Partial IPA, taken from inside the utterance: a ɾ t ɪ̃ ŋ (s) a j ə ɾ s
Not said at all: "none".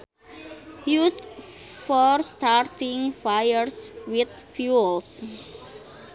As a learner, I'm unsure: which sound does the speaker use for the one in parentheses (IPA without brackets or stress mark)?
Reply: f